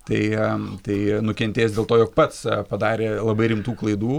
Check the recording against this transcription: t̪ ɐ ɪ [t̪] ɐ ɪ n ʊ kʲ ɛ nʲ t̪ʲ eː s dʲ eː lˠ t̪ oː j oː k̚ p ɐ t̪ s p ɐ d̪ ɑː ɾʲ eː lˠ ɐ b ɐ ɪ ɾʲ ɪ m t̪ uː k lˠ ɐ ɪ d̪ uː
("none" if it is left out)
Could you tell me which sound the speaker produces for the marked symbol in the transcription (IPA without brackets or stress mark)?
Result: t̪